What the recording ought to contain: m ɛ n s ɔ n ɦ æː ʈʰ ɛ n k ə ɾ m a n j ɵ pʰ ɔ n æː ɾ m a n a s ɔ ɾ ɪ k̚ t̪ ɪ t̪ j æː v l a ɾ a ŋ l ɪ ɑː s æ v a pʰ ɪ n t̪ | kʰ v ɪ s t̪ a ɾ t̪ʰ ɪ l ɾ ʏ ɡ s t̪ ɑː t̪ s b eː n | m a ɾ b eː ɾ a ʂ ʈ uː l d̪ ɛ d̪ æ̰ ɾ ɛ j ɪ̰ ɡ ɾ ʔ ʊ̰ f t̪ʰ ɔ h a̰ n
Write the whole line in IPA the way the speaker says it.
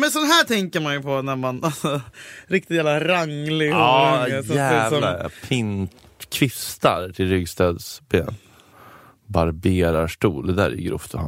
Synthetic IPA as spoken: m ɛ n s ɔ n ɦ æː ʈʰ ɛ ŋ k ə ɾ m a n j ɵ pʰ ɔ n æ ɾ m a n a s ɔ ɾ ɪ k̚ t̪ ɪ t̪ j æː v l a ɾ a ŋ l ɪ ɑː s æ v a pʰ ɪ n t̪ | kʰ v ɪ s t̪ a ɾ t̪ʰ ɪ l ɾ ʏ ɡ s t̪ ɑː d̪ s b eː n | b a ɾ b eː ɾ a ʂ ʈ uː l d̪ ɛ d̪ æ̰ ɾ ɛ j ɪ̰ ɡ ɾ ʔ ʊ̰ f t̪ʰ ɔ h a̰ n